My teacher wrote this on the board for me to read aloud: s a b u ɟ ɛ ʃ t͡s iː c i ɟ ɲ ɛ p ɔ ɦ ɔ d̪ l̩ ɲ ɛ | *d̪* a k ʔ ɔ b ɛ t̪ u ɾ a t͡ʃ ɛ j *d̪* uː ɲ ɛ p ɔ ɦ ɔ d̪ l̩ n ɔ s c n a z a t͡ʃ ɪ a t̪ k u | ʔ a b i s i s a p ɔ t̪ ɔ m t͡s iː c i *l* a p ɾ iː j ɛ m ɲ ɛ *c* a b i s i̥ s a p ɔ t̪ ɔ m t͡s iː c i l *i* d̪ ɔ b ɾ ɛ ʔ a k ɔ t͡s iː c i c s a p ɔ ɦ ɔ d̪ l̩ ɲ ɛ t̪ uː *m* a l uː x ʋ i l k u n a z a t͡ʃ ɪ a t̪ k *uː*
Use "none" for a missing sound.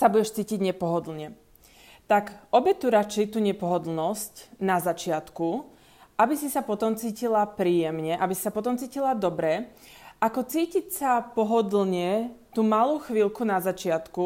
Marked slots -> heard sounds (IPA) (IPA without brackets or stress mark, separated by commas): t̪, t̪, l, ʔ, a, m, u